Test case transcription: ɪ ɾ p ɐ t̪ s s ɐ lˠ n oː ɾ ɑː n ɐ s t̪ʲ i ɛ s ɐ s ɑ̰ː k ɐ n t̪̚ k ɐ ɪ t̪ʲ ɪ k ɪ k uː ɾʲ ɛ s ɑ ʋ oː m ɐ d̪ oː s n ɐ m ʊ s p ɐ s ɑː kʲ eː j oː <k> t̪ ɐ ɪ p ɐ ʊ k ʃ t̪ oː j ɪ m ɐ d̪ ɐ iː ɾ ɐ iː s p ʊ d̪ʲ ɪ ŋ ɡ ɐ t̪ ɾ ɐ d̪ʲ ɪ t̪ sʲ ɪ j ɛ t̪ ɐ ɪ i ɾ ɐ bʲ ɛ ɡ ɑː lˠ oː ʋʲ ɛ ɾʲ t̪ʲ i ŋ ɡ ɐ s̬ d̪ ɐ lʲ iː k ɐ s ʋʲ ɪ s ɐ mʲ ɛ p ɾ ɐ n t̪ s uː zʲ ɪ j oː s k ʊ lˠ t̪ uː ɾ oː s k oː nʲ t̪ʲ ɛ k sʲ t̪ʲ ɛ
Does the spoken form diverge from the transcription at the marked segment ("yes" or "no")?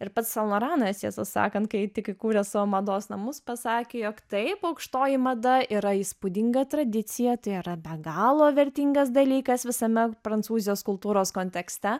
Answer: no